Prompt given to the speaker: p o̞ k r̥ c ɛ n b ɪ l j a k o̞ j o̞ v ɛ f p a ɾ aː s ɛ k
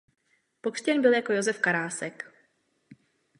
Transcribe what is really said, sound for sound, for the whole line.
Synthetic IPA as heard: p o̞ k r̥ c ɛ n b ɪ l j a k o̞ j o̞ z ɛ f k a ɾ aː s ɛ k